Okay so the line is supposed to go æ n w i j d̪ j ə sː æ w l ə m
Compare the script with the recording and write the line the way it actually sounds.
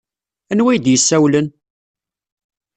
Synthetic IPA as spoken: æ n w æ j d̪ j ə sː æ w l ə n